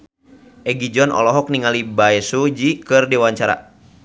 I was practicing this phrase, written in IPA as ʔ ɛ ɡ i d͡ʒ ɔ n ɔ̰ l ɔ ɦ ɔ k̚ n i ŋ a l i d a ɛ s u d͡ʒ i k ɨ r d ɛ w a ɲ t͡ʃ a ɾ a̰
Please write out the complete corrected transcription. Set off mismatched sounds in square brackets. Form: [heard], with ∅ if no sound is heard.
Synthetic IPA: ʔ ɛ ɡ i d͡ʒ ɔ n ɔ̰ l ɔ ɦ ɔ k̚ n i ŋ a l i [b] a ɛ s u d͡ʒ i k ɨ r d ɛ w a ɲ t͡ʃ a ɾ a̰